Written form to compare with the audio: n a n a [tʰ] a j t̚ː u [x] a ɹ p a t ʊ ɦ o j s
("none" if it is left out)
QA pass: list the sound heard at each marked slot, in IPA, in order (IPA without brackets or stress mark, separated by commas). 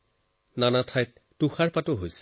tʰ, x